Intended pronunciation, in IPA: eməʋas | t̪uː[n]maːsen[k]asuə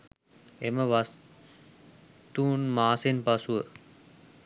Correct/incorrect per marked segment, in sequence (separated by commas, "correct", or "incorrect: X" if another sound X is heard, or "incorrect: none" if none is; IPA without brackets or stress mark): correct, incorrect: p